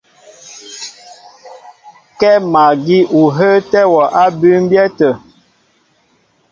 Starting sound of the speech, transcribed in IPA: k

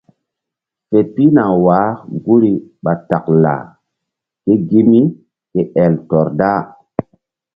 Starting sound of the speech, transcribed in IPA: f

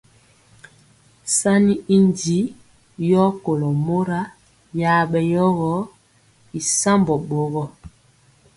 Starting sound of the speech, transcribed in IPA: s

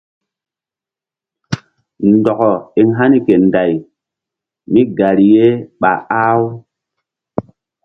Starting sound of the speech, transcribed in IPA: n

